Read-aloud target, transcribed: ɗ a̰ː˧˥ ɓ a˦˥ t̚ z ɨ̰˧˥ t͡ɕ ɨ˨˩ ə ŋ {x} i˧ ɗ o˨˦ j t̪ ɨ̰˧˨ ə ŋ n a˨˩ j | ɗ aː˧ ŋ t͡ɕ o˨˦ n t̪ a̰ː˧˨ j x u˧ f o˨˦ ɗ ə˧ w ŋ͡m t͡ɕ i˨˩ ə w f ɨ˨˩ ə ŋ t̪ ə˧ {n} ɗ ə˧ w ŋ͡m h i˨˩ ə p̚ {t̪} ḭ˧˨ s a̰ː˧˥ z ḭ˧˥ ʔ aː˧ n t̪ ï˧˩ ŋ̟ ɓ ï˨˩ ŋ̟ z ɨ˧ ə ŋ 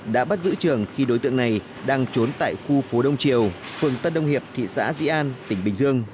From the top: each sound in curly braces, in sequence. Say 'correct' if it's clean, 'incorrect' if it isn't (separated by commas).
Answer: correct, correct, incorrect